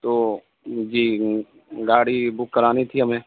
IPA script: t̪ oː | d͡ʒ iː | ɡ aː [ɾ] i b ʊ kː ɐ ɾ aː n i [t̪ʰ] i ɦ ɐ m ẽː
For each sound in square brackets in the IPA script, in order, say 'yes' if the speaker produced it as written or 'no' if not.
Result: no, yes

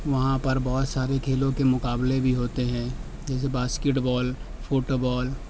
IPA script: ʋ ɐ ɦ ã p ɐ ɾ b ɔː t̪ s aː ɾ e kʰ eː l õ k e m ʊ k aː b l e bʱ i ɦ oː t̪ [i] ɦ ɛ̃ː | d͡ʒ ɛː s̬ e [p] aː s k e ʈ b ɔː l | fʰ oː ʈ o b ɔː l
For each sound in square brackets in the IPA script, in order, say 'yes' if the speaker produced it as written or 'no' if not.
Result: no, no

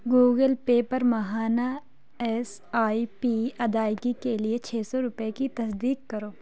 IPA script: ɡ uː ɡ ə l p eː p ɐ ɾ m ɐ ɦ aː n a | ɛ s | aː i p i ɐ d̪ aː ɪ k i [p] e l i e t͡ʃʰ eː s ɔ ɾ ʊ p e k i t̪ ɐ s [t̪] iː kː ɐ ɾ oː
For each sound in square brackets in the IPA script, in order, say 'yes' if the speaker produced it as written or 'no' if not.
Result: no, no

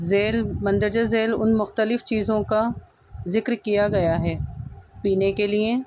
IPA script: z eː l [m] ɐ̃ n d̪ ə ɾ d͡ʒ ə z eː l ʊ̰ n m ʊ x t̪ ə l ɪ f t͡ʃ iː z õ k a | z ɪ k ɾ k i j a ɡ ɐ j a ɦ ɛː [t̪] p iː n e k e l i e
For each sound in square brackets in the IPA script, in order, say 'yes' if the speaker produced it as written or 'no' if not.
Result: yes, no

